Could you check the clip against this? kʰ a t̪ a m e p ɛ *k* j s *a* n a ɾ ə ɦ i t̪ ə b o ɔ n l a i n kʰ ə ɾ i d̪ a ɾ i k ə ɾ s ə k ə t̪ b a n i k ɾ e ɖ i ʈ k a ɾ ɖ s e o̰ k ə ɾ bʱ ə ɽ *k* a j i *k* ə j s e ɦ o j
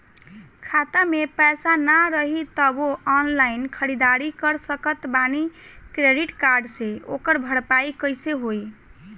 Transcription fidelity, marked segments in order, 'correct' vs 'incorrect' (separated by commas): incorrect, correct, incorrect, correct